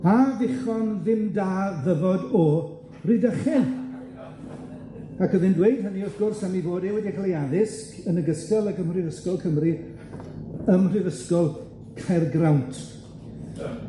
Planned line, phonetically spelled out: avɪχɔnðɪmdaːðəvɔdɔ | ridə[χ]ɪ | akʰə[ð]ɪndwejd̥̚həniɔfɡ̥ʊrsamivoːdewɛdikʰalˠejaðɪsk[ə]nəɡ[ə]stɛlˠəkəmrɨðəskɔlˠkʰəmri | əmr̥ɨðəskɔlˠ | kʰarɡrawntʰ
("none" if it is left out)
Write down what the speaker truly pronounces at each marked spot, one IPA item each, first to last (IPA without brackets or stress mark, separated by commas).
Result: χ, ð, ə, ə